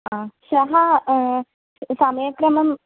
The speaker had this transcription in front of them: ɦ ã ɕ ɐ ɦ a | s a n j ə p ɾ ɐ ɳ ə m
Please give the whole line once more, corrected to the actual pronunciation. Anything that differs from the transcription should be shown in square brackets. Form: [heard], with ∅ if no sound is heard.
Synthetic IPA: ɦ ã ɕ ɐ ɦ a | s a [m] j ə [k] ɾ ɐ [m] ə m

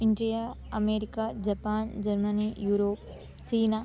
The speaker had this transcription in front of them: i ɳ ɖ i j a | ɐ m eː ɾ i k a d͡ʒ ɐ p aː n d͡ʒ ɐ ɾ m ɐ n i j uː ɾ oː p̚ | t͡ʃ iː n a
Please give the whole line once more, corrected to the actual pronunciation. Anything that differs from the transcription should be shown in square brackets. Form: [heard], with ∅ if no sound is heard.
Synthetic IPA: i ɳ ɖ i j a | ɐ m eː ɾ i k a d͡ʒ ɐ p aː n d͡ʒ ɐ ɾ m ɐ n i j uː ɾ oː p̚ | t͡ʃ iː n a

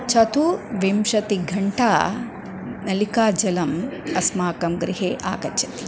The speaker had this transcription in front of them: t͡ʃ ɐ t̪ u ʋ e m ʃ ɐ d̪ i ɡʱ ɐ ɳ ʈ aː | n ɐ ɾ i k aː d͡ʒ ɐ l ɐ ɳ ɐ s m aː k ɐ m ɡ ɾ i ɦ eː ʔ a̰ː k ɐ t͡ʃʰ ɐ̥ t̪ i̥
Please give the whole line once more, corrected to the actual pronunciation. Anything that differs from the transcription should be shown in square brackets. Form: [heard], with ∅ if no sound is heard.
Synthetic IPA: t͡ʃ ɐ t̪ u ʋ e m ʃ ɐ [t̪] i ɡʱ ɐ ɳ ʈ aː | n ɐ [l] i k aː d͡ʒ ɐ l ɐ [m] ɐ s m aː k ɐ m ɡ ɾ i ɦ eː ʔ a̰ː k ɐ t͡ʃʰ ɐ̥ t̪ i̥

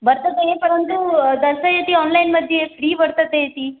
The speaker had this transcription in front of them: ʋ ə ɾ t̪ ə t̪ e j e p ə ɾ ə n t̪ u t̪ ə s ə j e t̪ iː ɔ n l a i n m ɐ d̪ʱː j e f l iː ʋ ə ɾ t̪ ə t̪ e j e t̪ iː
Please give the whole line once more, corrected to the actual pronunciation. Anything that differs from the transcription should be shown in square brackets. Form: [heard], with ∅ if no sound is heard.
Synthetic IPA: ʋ ə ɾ t̪ ə t̪ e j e p ə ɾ ə n t̪ u [d̪] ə s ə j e t̪ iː ɔ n l a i n m [ə] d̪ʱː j e f [ɽ] iː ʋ ə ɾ t̪ ə t̪ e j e t̪ iː

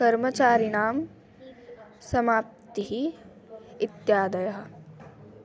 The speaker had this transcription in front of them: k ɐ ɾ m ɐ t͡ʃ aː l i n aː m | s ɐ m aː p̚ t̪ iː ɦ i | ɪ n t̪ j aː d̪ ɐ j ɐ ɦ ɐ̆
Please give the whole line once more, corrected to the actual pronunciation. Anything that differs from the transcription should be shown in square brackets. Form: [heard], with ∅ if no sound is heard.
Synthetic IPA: k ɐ ɾ m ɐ t͡ʃ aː [ɾ] i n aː m | s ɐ m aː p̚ t̪ [i] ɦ i | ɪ [∅] t̪ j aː d̪ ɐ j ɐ ɦ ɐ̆

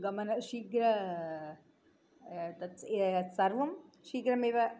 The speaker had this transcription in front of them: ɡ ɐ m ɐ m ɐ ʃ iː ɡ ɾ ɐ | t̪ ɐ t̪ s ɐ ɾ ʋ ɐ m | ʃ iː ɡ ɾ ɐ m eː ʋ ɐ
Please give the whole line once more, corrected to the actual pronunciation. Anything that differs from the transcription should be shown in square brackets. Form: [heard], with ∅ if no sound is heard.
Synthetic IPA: ɡ ɐ m ɐ [n] ɐ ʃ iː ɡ ɾ ɐ | t̪ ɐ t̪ s ɐ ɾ ʋ ɐ m | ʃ iː ɡ ɾ ɐ m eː ʋ ɐ

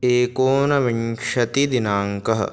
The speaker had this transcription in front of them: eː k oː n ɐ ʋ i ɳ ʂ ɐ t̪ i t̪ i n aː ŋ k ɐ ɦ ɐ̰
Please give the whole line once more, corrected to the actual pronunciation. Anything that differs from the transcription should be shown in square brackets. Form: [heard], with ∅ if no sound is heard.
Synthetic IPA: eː k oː n ɐ ʋ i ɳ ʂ ɐ t̪ i [d̪] i n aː ŋ k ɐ ɦ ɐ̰

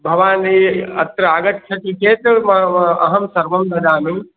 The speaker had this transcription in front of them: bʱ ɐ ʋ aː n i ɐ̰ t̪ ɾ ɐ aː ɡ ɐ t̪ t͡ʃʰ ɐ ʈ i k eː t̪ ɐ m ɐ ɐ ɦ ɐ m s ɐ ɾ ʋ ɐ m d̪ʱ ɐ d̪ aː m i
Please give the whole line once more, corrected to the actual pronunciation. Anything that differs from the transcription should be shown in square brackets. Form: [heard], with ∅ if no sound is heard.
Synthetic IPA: bʱ ɐ ʋ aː n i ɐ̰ t̪ ɾ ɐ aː ɡ ɐ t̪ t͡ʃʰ ɐ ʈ i k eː t̪ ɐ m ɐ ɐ ɦ ɐ m s ɐ ɾ ʋ ɐ m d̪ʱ ɐ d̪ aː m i

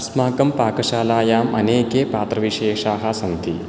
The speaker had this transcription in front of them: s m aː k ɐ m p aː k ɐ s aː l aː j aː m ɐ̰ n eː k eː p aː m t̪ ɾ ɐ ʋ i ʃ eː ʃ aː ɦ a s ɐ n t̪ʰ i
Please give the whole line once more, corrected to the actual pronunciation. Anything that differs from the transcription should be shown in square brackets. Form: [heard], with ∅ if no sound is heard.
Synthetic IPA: s m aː k ɐ m p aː k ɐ [ʃ] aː l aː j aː m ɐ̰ n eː k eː p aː [∅] t̪ ɾ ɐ ʋ i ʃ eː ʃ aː ɦ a s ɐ n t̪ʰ i

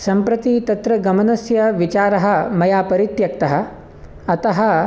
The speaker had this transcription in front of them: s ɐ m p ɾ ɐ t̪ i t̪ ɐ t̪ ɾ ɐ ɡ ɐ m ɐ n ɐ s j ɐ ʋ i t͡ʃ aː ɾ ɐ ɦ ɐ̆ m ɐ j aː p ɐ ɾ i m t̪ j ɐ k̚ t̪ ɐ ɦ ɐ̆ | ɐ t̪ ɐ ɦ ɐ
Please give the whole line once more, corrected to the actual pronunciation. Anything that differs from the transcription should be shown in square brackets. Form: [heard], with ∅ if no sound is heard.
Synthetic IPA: s ɐ m p ɾ ɐ t̪ i t̪ ɐ t̪ ɾ ɐ ɡ ɐ m ɐ n ɐ s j ɐ ʋ i t͡ʃ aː ɾ ɐ ɦ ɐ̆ m ɐ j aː p ɐ ɾ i [∅] t̪ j ɐ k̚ t̪ ɐ ɦ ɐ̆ | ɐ t̪ ɐ ɦ ɐ

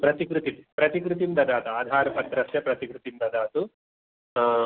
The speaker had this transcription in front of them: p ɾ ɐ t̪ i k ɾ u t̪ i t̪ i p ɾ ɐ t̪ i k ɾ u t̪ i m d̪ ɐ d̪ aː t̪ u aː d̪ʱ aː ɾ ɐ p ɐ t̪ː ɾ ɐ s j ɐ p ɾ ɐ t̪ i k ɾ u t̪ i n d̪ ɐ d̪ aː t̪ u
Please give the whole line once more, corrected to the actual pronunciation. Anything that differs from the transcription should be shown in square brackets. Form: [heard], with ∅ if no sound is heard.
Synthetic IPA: p ɾ ɐ t̪ i k ɾ u t̪ i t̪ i p ɾ ɐ t̪ i k ɾ u t̪ i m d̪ ɐ d̪ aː t̪ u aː d̪ʱ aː ɾ ɐ p ɐ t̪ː ɾ ɐ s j ɐ p ɾ ɐ t̪ i k ɾ u t̪ i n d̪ ɐ d̪ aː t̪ u

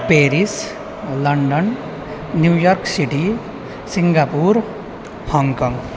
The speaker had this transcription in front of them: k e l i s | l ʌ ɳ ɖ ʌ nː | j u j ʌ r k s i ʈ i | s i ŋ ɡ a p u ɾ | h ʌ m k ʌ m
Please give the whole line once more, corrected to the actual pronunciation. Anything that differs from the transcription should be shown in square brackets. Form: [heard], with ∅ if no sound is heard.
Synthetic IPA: [p] e [ɾ] i s | l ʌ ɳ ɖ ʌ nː | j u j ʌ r k s i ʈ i | s i ŋ ɡ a p u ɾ | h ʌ [ŋ] k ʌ [ŋ]

